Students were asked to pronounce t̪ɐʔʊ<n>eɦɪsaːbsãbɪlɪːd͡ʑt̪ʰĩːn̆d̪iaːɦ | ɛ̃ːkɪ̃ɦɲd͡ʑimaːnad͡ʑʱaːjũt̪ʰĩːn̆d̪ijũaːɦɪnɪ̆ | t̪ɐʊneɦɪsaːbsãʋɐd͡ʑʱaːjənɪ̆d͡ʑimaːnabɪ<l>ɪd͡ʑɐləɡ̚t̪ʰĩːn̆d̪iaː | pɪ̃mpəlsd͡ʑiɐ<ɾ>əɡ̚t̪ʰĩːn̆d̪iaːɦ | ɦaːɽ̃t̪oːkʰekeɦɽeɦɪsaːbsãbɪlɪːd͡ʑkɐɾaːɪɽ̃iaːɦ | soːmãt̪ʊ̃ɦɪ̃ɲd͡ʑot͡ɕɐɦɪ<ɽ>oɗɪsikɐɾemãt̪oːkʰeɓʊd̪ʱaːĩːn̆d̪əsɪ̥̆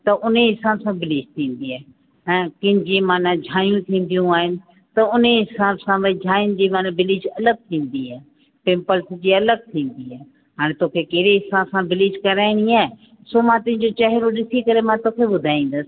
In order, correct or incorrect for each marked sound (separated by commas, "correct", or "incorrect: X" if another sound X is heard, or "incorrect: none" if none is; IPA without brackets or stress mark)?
correct, correct, incorrect: l, incorrect: ɾ